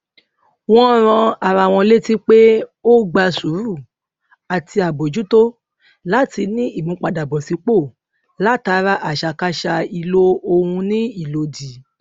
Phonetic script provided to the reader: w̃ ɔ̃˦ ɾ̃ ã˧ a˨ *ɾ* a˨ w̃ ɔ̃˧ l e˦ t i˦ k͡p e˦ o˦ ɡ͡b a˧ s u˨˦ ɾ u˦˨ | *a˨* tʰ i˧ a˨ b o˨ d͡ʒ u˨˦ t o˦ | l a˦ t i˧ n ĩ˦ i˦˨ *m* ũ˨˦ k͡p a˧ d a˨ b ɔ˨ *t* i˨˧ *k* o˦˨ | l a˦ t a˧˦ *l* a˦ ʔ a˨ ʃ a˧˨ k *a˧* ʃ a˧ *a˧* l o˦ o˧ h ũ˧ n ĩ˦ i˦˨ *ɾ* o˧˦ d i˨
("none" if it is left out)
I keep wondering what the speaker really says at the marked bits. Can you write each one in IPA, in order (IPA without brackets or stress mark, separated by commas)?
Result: ɾ, a˨, m, s, k͡p, ɾ, a˧, i˧, l